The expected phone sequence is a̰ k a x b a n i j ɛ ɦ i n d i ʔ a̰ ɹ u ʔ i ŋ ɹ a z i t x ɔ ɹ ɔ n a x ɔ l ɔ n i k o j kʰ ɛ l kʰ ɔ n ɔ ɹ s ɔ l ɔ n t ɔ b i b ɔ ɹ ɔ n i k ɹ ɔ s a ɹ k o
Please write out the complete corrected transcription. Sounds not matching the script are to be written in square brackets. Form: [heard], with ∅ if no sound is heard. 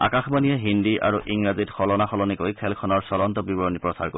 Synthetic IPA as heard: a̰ k a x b a n i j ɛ ɦ i n d i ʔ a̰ ɹ u ʔ i ŋ ɹ a z i t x ɔ [l] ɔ n a x ɔ l ɔ n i k o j kʰ ɛ l kʰ ɔ n ɔ ɹ s ɔ l ɔ n t ɔ b i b ɔ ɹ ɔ n i [p] ɹ ɔ s a ɹ k o